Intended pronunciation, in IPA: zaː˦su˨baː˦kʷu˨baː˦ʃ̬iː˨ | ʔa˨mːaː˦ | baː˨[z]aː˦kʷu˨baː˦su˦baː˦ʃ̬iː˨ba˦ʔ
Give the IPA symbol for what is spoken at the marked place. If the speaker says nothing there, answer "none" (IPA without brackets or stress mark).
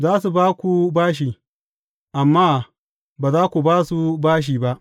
z